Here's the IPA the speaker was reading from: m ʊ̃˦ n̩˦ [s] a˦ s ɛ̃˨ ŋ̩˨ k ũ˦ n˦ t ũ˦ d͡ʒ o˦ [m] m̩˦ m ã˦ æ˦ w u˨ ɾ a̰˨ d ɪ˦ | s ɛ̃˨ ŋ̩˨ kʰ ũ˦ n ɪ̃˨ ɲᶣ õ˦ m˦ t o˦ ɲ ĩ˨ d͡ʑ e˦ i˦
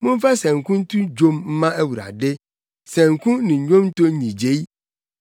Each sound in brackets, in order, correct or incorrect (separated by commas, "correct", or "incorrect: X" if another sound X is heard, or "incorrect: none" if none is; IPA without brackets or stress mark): incorrect: f, correct